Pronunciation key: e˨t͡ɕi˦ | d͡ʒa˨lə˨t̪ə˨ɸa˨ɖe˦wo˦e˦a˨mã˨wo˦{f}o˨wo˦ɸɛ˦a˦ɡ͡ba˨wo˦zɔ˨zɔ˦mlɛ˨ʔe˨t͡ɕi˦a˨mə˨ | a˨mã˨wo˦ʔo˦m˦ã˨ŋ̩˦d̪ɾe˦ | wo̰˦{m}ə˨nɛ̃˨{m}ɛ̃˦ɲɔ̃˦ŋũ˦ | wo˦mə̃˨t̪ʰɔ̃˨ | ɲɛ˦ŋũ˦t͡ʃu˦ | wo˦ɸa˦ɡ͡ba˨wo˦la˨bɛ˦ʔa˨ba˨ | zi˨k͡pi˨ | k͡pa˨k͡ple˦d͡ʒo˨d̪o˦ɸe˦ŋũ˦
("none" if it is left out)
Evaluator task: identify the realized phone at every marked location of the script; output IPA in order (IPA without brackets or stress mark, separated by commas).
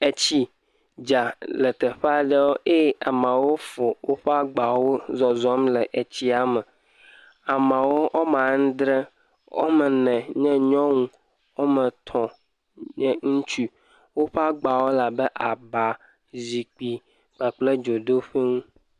f, m, ɲ